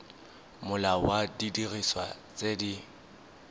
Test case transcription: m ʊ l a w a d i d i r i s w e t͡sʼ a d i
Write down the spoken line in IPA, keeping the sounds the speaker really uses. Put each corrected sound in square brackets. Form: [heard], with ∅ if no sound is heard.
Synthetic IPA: m ʊ l a w a d i d i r i s w [a] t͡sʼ [e] d i